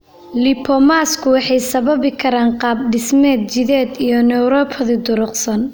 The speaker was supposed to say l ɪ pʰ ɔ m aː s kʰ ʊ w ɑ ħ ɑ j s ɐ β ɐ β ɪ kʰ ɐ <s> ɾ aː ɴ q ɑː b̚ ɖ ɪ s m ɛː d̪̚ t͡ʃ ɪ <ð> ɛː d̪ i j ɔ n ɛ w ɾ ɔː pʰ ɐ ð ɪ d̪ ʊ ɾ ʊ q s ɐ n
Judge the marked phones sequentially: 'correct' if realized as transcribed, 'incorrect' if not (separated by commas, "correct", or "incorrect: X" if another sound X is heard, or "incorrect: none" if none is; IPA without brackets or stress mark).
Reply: incorrect: none, correct